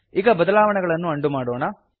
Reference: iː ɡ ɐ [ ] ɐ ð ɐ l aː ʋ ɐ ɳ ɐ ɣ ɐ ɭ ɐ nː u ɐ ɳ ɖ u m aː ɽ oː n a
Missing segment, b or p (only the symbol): b